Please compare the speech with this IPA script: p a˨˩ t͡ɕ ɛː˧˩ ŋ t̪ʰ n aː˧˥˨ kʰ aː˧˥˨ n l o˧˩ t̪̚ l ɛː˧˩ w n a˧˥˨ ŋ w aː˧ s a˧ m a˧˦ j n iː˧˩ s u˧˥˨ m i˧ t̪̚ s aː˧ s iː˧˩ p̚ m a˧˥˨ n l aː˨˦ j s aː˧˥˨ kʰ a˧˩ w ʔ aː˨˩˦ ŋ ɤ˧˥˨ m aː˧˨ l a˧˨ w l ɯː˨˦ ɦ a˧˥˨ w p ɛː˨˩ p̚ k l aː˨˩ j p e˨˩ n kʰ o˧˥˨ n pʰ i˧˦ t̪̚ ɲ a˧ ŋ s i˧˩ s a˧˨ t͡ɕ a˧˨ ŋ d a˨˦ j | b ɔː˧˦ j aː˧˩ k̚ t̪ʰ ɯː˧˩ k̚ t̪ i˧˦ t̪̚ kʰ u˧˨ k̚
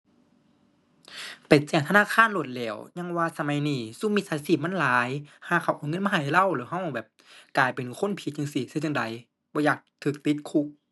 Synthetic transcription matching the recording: p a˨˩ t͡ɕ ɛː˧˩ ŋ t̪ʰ n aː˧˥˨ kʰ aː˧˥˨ n l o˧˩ t̪̚ l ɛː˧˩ w ɲ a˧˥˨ ŋ w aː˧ s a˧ m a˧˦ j n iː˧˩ s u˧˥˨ m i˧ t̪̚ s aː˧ s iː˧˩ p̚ m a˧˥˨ n l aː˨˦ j h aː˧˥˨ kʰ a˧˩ w ʔ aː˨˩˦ ŋ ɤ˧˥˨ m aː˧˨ l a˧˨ w l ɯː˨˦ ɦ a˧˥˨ w b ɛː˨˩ p̚ k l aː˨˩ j p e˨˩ n kʰ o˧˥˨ n pʰ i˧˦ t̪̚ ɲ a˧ ŋ s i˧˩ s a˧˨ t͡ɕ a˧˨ ŋ d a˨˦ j | b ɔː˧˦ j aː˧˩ k̚ t̪ʰ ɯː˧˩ k̚ t̪ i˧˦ t̪̚ kʰ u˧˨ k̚